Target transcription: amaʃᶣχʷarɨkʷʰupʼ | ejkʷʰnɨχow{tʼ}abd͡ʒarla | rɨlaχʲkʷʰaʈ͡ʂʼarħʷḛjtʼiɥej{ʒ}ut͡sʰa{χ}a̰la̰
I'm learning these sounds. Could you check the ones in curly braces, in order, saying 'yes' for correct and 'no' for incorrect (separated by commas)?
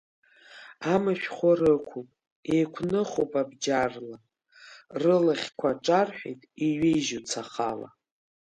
no, yes, yes